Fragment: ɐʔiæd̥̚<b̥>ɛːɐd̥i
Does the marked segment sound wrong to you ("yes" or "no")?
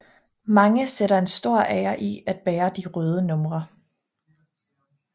no